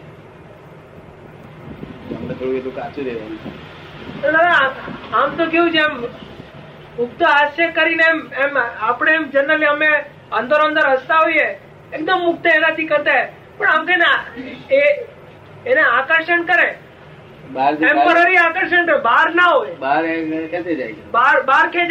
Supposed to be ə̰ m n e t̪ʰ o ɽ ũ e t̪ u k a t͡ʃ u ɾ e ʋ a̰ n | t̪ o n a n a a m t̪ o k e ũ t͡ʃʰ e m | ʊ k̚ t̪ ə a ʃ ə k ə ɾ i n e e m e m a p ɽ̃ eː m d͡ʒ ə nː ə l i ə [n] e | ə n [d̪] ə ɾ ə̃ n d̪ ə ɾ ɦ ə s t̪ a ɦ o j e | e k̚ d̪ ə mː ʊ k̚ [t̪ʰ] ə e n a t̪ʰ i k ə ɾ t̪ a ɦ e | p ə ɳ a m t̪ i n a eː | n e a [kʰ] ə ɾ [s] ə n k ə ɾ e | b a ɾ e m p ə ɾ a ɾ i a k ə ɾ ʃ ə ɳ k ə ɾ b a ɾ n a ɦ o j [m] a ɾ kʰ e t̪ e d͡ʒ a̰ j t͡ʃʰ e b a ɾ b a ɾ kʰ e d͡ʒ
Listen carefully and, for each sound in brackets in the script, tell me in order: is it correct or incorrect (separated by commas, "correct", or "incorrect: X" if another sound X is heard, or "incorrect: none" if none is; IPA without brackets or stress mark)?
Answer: incorrect: m, correct, incorrect: t̪, incorrect: k, incorrect: ʃ, incorrect: b